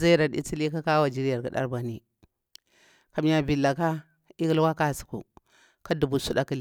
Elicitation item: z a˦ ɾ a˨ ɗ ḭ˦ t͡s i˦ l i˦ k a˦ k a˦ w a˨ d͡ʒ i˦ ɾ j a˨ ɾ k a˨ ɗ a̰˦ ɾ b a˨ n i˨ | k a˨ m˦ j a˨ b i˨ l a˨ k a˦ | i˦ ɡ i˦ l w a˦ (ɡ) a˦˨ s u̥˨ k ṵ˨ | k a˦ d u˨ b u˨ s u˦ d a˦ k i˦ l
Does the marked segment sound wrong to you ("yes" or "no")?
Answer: yes